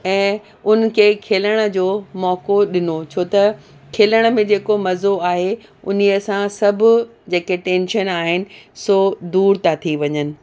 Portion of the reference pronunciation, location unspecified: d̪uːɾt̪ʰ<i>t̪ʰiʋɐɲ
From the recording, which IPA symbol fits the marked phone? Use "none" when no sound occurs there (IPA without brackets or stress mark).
a